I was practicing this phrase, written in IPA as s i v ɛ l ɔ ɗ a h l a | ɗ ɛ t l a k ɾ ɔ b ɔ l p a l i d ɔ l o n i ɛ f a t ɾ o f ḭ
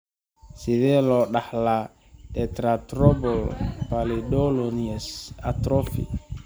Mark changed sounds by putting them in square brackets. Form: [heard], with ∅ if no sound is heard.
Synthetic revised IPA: s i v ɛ l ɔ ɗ a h l a | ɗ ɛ t [ɾ] a [t] ɾ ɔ b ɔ l p a l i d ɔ l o n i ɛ [s] a t ɾ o f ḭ